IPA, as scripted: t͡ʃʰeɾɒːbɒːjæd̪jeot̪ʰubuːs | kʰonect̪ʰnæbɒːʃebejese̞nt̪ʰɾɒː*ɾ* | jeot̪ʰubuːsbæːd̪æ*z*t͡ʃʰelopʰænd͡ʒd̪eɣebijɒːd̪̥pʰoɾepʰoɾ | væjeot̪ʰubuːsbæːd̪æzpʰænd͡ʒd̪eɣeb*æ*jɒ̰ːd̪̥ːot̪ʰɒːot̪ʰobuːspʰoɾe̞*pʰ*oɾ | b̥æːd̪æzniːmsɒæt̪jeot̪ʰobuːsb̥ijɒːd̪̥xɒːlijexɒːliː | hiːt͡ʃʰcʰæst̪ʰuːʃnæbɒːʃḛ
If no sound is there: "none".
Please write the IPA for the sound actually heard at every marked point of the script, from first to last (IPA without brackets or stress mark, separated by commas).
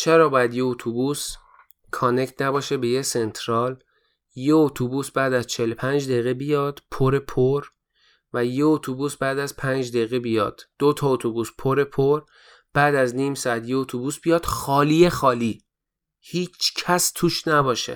l, z, i, pʰ